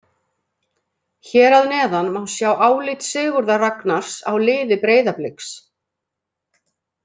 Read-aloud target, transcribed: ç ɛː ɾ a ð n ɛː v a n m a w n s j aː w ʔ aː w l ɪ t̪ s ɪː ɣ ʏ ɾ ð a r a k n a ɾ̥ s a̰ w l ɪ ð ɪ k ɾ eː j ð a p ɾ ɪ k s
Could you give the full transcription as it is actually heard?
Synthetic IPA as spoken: ç ɛː ɾ a ð n ɛː ð a n m a w n s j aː w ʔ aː w l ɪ t̪ s ɪː ɣ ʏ ɾ ð a r a k n a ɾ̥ s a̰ w l ɪː ð ɪ p ɾ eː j ð a p l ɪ k s